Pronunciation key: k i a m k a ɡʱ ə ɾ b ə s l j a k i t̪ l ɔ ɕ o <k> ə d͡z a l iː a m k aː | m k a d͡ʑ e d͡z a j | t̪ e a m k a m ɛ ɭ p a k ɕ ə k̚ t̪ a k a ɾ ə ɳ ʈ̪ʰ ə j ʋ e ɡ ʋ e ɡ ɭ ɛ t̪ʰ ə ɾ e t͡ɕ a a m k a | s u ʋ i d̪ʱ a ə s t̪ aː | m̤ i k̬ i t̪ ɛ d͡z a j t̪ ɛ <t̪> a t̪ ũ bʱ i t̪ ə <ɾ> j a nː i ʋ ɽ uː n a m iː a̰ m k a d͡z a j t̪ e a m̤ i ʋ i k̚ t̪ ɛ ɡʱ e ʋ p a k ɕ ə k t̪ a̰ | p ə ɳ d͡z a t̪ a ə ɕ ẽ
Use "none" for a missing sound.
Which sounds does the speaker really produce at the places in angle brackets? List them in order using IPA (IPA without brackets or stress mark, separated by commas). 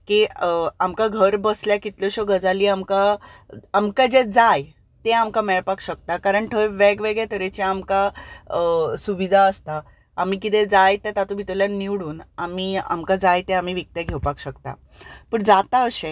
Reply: ɡ, t̪, l